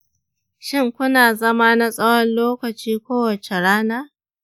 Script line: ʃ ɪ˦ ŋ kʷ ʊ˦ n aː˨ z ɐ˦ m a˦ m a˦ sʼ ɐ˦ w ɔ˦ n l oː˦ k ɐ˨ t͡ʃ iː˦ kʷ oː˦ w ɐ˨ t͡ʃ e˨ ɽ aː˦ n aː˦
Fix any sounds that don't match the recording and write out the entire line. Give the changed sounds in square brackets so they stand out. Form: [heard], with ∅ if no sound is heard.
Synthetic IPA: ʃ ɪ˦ ŋ kʷ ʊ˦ n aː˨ z ɐ˦ m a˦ [n] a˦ sʼ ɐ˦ w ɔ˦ n l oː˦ k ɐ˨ t͡ʃ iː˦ kʷ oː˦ w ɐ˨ t͡ʃ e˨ ɽ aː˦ n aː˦

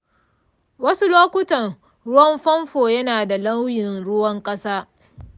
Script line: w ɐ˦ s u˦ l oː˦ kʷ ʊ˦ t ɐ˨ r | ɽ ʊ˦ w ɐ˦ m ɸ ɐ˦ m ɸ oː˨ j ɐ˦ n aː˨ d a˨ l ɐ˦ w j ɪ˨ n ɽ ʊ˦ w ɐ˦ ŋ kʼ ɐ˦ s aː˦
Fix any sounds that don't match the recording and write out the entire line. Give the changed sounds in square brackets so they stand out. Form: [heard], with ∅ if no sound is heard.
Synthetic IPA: w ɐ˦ s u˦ l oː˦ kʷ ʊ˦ t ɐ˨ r | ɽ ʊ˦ w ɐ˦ m ɸ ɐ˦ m ɸ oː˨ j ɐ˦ n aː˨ d a˨ l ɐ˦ w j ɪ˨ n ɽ ʊ˦ w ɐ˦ ŋ kʼ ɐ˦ s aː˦

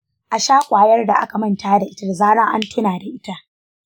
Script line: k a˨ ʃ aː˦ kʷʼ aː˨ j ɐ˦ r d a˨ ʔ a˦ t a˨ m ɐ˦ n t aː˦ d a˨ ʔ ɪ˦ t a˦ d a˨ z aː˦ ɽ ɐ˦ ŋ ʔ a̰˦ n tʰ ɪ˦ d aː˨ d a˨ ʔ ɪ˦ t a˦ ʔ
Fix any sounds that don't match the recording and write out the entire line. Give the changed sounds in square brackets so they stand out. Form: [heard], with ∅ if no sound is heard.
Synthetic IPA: [ʔ] a˨ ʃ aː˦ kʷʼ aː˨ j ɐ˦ r d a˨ ʔ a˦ [k] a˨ m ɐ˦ n t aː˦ d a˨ ʔ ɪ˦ t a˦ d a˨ z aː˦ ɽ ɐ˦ ŋ ʔ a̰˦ n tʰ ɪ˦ [n] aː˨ d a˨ ʔ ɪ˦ t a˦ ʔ

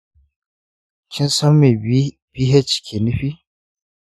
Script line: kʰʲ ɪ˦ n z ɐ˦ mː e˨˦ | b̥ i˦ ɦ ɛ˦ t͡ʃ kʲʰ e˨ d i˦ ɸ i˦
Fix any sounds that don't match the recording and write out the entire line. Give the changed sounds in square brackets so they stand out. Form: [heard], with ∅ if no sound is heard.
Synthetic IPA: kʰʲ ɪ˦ n [s] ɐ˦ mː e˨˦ | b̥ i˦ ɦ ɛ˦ t͡ʃ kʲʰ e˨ [n] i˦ ɸ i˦

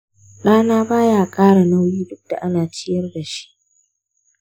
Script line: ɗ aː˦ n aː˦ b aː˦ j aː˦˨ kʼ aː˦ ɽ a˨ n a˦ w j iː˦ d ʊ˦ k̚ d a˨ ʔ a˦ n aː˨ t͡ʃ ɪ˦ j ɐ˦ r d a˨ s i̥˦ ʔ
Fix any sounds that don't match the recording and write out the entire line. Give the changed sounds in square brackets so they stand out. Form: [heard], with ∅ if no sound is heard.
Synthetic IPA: ɗ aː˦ n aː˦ b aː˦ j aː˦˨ kʼ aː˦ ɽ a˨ n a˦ w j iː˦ d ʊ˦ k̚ d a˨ ʔ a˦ n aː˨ t͡ʃ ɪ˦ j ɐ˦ r d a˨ [ʃ] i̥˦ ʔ

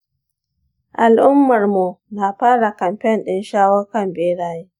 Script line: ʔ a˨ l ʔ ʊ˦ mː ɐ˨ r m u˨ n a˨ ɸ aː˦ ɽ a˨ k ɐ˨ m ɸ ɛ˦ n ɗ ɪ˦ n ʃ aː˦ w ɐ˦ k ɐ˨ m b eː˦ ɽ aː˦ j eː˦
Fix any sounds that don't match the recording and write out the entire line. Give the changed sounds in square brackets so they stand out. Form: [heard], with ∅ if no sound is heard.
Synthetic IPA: ʔ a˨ l ʔ ʊ˦ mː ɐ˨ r m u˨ n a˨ ɸ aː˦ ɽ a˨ k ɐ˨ m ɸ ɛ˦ n ɗ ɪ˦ n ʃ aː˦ w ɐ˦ k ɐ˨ m b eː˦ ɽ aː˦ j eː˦

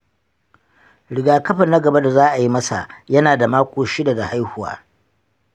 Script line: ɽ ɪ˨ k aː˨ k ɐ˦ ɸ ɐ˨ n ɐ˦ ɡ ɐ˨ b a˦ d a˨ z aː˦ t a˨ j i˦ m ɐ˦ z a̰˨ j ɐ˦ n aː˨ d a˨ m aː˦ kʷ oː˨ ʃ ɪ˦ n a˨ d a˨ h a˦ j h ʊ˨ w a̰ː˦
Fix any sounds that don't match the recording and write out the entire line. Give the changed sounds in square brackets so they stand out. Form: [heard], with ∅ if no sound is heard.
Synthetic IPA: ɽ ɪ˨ [ɡ] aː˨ k ɐ˦ ɸ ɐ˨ n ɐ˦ ɡ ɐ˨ b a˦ d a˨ z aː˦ [ʔ] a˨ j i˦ m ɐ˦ [s] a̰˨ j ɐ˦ n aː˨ d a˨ m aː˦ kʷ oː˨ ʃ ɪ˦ [d] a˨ d a˨ h a˦ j h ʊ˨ w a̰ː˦

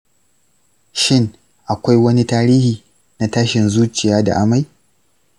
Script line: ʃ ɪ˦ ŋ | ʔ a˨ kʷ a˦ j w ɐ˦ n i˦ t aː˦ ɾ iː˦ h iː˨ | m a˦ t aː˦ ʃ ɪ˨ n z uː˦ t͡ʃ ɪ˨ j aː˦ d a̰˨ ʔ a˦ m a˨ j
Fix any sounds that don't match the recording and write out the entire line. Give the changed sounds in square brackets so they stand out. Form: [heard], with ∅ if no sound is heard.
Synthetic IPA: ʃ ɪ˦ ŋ | ʔ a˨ kʷ a˦ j w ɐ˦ n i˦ t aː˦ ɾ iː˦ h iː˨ | [n] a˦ t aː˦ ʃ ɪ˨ n z uː˦ t͡ʃ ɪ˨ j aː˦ d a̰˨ ʔ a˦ m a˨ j

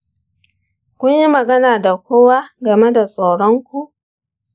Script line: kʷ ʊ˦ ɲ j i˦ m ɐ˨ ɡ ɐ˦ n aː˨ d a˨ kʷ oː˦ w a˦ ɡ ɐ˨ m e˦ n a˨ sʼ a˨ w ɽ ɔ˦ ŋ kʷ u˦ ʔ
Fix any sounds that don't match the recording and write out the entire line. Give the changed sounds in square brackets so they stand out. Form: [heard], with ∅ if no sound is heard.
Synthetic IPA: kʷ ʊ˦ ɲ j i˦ m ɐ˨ ɡ ɐ˦ n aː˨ d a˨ kʷ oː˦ w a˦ ɡ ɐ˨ m e˦ [d] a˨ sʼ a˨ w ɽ ɔ˦ ŋ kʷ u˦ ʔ

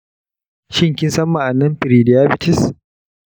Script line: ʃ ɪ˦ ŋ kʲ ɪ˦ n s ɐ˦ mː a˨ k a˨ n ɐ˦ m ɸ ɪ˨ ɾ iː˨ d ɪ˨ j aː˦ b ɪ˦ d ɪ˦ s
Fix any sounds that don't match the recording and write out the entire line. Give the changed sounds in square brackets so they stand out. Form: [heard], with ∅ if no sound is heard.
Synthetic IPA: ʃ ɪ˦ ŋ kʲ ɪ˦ n s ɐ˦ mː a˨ [ʔ] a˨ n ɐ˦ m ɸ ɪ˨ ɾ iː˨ d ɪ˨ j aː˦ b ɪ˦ [t] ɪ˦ s

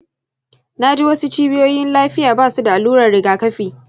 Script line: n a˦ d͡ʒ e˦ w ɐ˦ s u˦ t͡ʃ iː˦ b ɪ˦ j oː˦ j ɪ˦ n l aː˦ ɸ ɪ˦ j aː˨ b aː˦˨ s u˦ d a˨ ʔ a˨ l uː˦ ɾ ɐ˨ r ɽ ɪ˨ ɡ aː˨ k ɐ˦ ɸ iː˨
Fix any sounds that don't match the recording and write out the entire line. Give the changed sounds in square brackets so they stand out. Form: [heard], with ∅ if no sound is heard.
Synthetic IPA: n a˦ d͡ʒ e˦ w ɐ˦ s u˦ t͡ʃ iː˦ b ɪ˦ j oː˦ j ɪ˦ n l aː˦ ɸ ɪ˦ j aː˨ b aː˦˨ s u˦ d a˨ ʔ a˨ l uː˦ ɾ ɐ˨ r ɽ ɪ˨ ɡ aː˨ k ɐ˦ ɸ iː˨

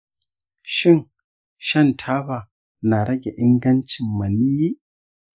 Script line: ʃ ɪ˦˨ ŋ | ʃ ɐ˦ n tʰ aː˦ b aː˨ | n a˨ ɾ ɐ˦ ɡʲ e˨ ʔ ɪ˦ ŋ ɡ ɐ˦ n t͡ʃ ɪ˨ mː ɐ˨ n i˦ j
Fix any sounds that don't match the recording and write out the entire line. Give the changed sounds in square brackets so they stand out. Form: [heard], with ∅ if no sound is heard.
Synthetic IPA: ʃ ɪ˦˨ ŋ | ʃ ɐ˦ n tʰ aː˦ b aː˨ | n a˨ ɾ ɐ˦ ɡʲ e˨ ʔ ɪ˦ ŋ ɡ ɐ˦ n t͡ʃ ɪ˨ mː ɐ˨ n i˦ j

